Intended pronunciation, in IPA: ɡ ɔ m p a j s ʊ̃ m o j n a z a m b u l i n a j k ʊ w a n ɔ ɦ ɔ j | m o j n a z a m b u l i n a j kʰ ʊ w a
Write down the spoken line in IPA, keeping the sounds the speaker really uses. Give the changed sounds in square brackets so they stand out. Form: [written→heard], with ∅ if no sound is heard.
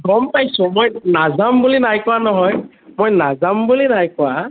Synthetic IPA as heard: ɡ ɔ m p a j s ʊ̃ m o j n a z a m b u l i n a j k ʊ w a n ɔ ɦ ɔ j | m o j n a z a m b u l i n a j [kʰ→k] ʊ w a